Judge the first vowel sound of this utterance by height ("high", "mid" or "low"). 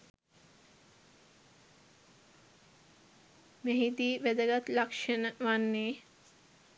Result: mid